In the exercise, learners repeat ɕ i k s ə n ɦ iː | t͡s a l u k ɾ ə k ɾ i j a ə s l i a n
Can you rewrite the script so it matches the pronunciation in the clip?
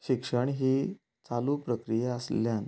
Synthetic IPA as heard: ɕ i k ʂ ə ɳ ɦ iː | t͡s a l u p ɾ ə k ɾ i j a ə s l j a n